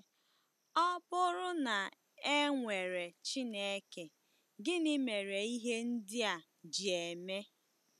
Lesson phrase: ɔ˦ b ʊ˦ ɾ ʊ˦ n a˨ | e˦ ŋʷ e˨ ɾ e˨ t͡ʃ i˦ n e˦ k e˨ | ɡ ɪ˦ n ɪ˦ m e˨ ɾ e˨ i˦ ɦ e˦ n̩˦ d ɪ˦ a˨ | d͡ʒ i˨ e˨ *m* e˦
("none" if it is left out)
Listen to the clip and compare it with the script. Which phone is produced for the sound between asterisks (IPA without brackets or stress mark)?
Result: m